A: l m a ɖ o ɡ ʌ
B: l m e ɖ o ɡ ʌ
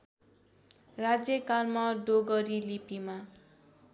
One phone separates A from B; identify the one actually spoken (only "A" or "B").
A